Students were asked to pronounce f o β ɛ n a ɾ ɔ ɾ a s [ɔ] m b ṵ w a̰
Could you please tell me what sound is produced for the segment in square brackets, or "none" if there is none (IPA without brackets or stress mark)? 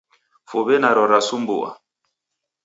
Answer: u